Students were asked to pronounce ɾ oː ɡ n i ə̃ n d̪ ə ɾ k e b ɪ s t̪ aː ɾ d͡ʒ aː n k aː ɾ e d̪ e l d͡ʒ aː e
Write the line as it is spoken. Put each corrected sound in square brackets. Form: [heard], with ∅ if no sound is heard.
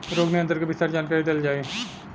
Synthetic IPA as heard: ɾ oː ɡ n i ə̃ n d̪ ə ɾ k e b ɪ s t̪ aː ɾ d͡ʒ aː n k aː ɾ [i] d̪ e l d͡ʒ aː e